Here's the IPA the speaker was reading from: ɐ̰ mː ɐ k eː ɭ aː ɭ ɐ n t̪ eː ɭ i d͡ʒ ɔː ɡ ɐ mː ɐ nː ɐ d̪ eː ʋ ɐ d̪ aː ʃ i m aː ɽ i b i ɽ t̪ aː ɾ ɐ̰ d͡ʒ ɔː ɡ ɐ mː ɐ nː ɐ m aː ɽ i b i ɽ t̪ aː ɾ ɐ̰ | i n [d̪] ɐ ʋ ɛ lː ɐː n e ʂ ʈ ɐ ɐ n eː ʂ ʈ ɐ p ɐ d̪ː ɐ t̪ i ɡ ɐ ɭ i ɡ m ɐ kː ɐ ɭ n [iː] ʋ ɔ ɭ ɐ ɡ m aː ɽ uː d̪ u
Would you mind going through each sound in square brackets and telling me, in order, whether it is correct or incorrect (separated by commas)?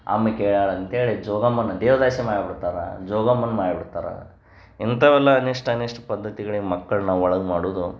incorrect, incorrect